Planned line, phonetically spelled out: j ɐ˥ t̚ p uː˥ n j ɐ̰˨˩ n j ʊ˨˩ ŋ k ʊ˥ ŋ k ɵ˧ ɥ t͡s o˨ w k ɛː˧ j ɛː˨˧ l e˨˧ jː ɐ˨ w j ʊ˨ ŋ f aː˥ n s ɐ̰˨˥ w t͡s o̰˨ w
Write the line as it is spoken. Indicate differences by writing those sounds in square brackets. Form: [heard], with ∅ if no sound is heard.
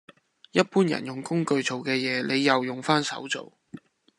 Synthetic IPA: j ɐ˥ t̚ p uː˥ n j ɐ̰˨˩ n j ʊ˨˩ ŋ k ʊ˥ ŋ k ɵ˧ ɥ t͡s o˨ w k ɛː˧ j ɛː˨˧ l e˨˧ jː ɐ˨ w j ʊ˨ ŋ f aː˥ n s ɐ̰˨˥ w t͡s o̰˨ w

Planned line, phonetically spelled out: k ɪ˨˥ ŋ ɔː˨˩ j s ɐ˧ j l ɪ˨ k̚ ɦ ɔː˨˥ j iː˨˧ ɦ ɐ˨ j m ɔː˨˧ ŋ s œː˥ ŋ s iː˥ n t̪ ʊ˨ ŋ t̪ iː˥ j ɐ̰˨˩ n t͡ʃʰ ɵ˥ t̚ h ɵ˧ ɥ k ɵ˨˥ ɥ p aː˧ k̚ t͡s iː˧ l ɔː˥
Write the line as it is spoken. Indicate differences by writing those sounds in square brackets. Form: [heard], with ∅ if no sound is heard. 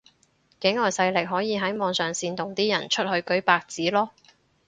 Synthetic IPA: k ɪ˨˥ ŋ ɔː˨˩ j s ɐ˧ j l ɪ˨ k̚ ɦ ɔː˨˥ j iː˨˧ ɦ [ɐ˨˥] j m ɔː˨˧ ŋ s [œː˨] ŋ s [iː˧] n t̪ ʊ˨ ŋ t̪ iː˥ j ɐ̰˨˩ n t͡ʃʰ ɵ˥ t̚ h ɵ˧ ɥ k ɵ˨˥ ɥ p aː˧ k̚ t͡s [iː˨˥] l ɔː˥

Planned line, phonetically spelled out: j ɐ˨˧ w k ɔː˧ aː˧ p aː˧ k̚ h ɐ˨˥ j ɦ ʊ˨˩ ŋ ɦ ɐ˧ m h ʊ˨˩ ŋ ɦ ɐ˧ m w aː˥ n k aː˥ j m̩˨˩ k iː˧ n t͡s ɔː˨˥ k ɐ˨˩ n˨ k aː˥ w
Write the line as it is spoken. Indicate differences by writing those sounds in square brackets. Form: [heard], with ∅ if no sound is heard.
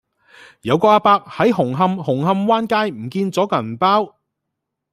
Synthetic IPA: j ɐ˨˧ w k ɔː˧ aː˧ p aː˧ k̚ h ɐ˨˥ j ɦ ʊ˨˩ ŋ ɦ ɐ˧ m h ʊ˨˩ ŋ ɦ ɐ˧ m w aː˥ n k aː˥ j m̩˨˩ k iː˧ n t͡s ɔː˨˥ k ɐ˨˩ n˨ [p] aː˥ w

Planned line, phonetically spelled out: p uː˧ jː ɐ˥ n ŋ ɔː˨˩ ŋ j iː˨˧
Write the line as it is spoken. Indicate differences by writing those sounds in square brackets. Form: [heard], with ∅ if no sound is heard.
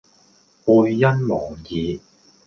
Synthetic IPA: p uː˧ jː ɐ˥ n [m] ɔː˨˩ ŋ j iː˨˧

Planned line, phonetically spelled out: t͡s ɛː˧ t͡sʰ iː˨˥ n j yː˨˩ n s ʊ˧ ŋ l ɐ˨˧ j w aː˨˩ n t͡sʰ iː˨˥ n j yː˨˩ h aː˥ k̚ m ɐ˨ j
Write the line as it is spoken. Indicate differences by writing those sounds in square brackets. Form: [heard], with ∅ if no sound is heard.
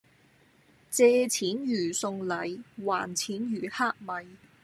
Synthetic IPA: t͡s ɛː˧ t͡sʰ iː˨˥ n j yː˨˩ [∅] s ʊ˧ ŋ l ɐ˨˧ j w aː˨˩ n t͡sʰ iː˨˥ n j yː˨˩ h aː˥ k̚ m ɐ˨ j

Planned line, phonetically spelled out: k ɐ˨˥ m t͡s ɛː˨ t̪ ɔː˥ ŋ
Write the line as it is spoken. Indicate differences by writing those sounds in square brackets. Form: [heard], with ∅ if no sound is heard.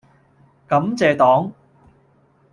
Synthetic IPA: k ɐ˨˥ m t͡s ɛː˨ t̪ [ɔː˨˥] ŋ

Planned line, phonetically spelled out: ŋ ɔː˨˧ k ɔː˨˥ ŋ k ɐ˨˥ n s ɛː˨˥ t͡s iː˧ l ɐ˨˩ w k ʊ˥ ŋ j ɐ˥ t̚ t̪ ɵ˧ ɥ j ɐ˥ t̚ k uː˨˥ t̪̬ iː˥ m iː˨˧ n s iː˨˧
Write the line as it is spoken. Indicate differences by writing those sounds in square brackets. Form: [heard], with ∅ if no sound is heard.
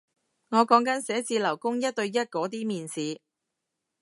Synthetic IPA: ŋ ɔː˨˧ k ɔː˨˥ ŋ k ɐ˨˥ n s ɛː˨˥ t͡s iː˧ l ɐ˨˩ w k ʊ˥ ŋ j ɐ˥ t̚ t̪ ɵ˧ ɥ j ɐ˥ t̚ k [ɔː˨˥] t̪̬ iː˥ m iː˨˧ n s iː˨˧

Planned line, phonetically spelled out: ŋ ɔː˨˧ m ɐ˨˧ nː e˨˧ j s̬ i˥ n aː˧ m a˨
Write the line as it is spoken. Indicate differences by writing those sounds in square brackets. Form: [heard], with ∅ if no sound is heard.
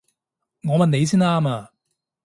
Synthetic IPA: ŋ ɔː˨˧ m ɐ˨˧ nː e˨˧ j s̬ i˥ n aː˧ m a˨

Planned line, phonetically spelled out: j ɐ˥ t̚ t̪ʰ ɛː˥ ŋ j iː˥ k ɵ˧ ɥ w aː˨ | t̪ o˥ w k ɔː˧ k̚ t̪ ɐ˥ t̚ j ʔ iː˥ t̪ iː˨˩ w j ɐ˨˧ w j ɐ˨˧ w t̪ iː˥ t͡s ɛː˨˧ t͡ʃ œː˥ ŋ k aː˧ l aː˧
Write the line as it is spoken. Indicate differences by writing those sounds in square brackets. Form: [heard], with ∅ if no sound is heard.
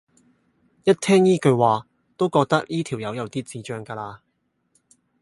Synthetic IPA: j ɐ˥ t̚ t̪ʰ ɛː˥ ŋ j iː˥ k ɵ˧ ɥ w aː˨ | t̪ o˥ w k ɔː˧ k̚ t̪ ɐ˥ [k̚] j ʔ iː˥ [t̪ʰ] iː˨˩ w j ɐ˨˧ w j ɐ˨˧ w t̪ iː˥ t͡s [iː˨˧] t͡ʃ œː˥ ŋ k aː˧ l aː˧

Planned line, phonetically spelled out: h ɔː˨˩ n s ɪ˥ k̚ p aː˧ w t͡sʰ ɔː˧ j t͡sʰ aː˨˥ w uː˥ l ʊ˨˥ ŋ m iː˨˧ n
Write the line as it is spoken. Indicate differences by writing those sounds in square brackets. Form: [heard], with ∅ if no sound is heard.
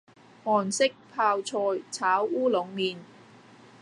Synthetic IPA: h ɔː˨˩ n s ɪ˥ k̚ [pʰ] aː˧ w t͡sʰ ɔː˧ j t͡sʰ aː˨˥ w uː˥ l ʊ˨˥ ŋ m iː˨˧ n

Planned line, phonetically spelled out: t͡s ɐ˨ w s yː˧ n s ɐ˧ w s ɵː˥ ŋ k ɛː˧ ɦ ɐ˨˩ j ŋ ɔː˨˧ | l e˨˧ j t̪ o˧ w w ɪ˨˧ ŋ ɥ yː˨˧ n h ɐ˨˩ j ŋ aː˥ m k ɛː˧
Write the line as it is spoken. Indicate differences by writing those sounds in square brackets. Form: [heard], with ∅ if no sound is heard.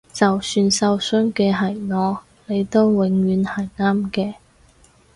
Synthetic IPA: t͡s ɐ˨ w s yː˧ n s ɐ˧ w s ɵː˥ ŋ k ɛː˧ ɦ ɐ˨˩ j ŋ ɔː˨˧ | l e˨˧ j t̪ [o˥] w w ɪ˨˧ ŋ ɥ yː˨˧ n h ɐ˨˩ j ŋ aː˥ m k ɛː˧

